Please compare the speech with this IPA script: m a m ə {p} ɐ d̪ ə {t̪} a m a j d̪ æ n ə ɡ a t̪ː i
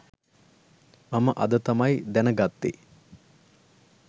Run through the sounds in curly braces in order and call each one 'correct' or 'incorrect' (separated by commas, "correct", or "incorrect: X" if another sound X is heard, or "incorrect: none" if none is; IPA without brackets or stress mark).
incorrect: ʔ, correct